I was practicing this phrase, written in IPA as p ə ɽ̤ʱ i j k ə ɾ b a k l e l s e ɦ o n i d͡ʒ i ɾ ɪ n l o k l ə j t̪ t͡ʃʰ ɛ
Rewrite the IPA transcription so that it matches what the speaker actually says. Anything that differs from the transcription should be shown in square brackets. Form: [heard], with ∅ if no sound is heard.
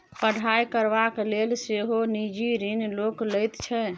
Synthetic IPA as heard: p ə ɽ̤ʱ [a] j k ə ɾ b a k l e l s e ɦ o n i d͡ʒ i ɾ [i] n l o k l ə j t̪ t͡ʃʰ ɛ